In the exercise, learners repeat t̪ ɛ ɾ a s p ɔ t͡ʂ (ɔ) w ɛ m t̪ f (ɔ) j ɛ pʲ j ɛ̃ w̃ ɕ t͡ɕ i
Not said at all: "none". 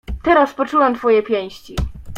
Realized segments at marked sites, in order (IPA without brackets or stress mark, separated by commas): u, ɔ